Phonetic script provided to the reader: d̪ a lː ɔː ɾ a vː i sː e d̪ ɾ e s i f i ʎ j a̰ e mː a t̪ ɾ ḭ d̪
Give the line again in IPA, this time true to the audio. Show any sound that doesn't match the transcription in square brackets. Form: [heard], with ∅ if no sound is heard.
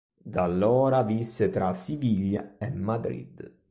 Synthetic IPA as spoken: d̪ a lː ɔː ɾ a [v] i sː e [t̪] ɾ [a] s i [v] i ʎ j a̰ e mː a [d̪] ɾ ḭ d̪